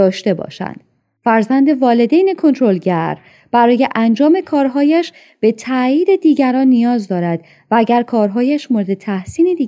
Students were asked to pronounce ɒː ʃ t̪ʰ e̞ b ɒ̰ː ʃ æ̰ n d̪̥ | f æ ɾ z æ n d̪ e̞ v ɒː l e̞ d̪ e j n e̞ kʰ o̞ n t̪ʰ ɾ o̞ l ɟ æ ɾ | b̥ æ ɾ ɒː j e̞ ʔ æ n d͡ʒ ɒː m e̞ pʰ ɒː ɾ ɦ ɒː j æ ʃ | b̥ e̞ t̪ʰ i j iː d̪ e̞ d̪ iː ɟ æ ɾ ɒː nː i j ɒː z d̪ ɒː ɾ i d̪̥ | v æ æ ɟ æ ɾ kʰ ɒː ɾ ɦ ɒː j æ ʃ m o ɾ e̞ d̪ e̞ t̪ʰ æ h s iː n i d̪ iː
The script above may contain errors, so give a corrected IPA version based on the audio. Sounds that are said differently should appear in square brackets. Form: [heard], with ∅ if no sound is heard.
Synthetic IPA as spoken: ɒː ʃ [t̪] e̞ b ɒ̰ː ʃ æ̰ n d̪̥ | f æ ɾ z æ n d̪ e̞ v ɒː l e̞ d̪ e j n e̞ kʰ o̞ n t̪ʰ ɾ o̞ l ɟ æ ɾ | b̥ æ ɾ ɒː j e̞ ʔ æ n d͡ʒ ɒː m e̞ [kʰ] ɒː ɾ ɦ ɒː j æ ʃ | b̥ e̞ t̪ʰ [æ] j iː d̪ e̞ d̪ iː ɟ æ ɾ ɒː nː i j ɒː z d̪ ɒː ɾ [æ] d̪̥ | v æ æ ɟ æ ɾ kʰ ɒː ɾ ɦ ɒː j æ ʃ m o ɾ e̞ d̪ e̞ t̪ʰ æ h s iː n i d̪ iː